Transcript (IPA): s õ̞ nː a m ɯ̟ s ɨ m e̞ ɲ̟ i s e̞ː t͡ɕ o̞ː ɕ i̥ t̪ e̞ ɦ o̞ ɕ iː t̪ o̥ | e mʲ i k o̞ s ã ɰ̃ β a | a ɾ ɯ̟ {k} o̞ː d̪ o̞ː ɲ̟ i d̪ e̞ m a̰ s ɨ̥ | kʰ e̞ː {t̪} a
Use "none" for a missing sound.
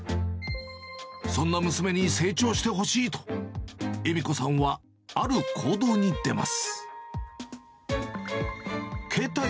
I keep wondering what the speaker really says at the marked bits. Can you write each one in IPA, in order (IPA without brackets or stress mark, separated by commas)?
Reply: kʰ, t̪